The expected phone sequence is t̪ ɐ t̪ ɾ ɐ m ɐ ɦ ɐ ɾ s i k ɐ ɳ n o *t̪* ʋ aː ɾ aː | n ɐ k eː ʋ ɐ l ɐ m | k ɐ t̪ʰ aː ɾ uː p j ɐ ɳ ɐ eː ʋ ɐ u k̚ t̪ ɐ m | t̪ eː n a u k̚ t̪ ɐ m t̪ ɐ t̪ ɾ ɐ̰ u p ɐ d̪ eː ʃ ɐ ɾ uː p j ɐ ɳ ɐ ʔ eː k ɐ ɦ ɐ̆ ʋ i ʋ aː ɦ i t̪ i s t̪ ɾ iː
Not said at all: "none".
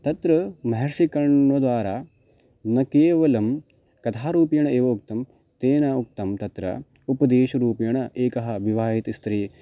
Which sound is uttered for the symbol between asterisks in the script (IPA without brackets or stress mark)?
d̪